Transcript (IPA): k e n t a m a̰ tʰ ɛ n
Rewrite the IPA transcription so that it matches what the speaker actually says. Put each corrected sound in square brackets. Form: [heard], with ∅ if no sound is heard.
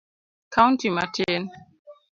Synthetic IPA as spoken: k [a] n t [i] m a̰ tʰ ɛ n